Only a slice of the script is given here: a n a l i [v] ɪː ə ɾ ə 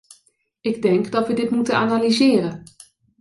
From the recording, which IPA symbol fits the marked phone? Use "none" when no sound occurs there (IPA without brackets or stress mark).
z